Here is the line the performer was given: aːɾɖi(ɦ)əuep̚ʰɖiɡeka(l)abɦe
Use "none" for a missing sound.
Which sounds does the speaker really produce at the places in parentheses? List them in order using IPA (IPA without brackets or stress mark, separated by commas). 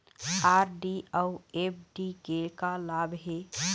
none, l